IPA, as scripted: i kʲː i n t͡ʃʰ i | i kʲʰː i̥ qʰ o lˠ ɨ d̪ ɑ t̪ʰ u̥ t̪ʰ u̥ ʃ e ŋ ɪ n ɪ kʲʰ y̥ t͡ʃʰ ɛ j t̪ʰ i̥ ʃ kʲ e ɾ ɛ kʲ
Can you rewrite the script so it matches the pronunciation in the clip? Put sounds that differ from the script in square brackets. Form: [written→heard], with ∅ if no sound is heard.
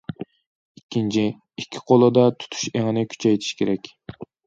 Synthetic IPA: i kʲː i n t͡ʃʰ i | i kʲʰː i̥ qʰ o lˠ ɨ d̪ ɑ t̪ʰ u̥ t̪ʰ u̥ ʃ e ŋ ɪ n ɪ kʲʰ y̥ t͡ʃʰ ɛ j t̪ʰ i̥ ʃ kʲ e ɾ ɛ kʲ